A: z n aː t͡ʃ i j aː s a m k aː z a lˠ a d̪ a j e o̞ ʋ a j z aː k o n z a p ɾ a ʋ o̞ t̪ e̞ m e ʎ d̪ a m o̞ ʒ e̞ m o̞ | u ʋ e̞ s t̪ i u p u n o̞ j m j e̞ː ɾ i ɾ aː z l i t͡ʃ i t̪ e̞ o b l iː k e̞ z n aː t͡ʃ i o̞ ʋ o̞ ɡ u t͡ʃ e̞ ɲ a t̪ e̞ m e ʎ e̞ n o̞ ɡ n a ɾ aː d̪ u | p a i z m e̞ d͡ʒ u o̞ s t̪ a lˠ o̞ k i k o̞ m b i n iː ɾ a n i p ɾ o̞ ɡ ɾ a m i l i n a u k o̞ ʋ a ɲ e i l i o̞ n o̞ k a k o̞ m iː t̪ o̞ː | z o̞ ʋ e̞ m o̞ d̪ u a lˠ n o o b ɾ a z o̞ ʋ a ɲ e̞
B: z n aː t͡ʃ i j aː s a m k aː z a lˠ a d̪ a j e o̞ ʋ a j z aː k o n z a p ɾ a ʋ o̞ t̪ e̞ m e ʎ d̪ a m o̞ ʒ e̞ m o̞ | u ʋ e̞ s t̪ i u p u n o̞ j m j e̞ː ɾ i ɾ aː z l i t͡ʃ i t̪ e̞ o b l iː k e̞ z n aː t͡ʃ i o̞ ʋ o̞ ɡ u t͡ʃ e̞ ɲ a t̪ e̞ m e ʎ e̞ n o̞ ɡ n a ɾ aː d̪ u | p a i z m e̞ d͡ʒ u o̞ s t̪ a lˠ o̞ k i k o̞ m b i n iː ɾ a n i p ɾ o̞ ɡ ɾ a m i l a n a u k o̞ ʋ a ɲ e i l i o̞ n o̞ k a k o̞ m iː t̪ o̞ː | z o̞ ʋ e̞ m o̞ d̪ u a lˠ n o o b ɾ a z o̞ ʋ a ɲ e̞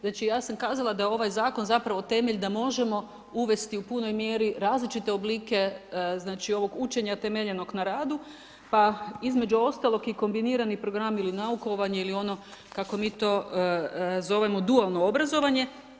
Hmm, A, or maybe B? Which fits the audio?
A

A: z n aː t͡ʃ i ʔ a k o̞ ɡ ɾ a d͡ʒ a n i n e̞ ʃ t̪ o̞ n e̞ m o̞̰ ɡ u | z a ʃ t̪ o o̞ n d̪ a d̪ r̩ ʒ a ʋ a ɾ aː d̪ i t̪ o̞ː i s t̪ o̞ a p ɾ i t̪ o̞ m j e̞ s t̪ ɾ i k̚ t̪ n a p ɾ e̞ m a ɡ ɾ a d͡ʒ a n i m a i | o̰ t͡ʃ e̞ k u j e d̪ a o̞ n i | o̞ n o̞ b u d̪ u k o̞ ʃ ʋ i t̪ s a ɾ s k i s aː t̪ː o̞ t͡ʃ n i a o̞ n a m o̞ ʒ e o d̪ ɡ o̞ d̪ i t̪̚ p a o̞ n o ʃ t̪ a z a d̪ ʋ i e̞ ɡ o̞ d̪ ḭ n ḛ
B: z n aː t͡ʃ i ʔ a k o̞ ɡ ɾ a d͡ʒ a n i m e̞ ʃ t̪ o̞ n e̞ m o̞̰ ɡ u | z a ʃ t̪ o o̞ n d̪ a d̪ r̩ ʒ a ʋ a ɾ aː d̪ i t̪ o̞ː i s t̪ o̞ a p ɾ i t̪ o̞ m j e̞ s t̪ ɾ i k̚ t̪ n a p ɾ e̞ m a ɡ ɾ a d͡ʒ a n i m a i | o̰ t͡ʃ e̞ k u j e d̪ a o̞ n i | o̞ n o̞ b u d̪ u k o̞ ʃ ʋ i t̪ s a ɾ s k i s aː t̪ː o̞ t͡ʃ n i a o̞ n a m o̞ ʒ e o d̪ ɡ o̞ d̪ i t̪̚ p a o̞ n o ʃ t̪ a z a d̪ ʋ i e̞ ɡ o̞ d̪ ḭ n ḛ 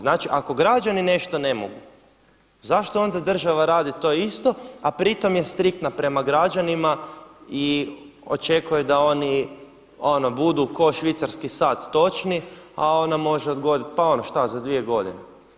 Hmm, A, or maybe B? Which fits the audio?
A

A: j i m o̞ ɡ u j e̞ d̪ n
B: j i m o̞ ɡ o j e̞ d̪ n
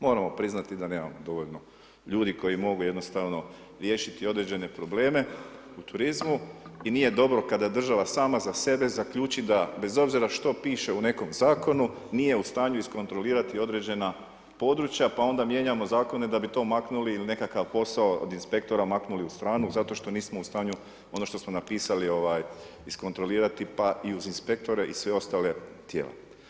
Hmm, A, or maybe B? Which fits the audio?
A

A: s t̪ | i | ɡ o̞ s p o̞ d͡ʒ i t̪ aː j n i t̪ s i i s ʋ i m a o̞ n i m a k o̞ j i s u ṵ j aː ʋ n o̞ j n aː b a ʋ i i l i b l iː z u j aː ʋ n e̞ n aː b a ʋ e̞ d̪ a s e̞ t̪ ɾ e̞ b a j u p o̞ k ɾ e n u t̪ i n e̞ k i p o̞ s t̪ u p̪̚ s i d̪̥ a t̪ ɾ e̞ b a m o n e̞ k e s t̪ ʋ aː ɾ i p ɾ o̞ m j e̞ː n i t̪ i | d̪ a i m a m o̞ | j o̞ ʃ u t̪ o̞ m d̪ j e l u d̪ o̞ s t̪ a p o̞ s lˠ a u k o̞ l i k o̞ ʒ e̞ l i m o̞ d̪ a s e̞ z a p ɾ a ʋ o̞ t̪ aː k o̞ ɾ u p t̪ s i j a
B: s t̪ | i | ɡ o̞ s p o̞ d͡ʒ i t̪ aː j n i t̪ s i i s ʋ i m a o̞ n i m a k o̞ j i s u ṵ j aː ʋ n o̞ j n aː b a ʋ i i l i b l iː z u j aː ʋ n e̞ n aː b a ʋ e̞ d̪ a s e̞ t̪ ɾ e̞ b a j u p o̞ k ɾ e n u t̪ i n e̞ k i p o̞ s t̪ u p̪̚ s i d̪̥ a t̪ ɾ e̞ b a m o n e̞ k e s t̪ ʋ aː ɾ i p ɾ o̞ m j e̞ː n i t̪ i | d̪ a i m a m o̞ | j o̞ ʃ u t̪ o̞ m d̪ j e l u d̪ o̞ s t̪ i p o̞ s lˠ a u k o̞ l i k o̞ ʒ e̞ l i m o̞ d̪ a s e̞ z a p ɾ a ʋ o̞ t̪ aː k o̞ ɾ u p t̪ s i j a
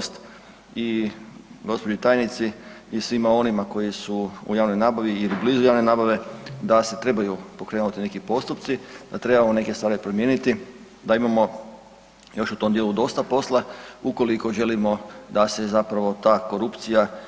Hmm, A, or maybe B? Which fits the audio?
A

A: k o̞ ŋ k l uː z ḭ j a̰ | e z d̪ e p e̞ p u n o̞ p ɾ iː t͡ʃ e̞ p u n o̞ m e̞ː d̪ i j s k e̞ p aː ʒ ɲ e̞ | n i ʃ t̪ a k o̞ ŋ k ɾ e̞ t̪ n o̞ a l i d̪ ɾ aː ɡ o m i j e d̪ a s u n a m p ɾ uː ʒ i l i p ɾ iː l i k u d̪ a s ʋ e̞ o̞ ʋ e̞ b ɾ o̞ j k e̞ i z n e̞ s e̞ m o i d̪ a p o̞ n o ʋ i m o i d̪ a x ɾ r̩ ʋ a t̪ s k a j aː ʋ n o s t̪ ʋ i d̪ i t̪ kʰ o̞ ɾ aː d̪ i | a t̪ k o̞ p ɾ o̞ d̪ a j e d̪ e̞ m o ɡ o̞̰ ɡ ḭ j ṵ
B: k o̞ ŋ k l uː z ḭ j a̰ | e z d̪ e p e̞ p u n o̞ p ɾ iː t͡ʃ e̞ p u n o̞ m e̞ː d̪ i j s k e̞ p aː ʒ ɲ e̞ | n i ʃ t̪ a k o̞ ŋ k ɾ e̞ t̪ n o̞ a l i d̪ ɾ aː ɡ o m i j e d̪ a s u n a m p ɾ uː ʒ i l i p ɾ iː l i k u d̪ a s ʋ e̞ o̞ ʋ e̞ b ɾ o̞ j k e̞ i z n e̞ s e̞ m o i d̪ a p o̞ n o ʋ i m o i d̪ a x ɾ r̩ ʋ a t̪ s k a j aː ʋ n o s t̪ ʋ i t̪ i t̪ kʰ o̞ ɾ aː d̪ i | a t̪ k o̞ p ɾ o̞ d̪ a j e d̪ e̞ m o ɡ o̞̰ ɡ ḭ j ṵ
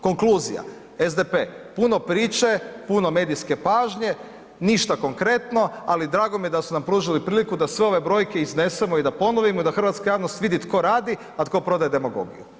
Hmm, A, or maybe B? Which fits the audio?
A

